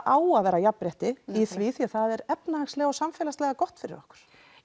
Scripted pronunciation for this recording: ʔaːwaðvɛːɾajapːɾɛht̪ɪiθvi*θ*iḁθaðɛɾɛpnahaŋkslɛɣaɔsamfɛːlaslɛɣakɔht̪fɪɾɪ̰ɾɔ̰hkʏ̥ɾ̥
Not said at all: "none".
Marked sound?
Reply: θ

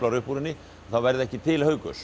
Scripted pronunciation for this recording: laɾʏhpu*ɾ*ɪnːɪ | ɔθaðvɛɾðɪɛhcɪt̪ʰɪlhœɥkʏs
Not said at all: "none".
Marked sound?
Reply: ɾ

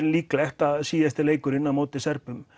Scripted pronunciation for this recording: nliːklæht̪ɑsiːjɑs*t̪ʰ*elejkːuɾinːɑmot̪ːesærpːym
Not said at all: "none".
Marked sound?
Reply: t̪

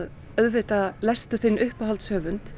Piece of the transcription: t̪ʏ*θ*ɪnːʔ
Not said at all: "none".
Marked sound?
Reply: θ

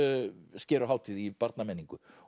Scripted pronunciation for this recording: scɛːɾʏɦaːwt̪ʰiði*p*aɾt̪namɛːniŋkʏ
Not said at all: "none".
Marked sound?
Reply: p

